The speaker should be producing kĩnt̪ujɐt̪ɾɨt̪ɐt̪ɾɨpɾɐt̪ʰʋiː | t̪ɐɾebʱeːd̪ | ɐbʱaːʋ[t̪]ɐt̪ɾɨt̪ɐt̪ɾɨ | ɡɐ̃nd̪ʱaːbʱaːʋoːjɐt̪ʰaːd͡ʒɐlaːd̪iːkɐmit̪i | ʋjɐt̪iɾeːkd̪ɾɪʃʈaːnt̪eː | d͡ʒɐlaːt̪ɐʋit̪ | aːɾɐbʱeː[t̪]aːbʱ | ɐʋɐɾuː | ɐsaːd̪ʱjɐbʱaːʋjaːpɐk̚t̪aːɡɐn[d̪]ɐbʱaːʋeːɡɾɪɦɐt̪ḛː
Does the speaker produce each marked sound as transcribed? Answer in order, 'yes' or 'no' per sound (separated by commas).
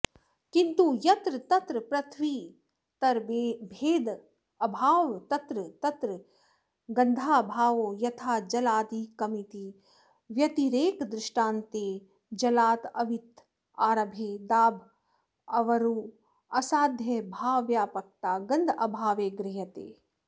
yes, no, yes